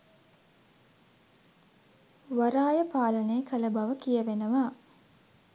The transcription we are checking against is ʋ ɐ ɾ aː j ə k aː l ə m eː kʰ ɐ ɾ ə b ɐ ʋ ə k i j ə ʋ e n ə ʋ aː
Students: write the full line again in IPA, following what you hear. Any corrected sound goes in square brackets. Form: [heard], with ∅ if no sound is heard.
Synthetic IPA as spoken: ʋ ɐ ɾ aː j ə [p] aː l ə [n] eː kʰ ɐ [l] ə b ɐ ʋ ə k i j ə ʋ e n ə ʋ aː